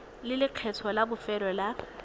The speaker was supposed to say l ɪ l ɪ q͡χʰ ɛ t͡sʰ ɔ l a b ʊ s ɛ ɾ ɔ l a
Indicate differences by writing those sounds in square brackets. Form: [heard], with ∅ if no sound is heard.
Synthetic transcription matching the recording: l ɪ l ɪ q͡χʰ ɛ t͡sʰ ɔ l a b ʊ [f] ɛ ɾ ɔ l a